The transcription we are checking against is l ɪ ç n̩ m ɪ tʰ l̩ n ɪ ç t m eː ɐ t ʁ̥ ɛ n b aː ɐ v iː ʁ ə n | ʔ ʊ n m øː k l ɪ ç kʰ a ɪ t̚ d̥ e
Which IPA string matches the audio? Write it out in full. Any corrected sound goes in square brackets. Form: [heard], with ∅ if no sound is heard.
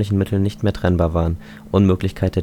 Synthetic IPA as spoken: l ɪ ç n̩ m ɪ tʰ l̩ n ɪ ç t m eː ɐ t ʁ̥ ɛ n b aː ɐ v [aː] ʁ ə n | ʔ ʊ n m øː k l ɪ ç kʰ a ɪ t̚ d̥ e